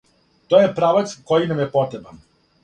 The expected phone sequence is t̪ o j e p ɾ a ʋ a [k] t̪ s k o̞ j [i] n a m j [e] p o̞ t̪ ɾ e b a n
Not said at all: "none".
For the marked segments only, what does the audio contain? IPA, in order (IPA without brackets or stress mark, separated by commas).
none, i, e